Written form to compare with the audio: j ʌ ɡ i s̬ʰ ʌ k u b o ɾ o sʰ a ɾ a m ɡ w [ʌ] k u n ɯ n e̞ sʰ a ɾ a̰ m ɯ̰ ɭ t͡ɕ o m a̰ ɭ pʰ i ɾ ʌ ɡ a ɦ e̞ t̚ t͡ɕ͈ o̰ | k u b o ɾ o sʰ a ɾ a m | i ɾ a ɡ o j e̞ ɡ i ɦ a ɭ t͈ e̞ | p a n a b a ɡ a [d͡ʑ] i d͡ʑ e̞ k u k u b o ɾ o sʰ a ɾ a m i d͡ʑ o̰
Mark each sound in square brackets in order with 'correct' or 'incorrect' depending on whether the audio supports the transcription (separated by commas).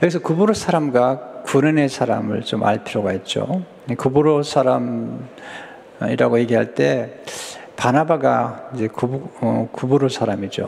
incorrect, incorrect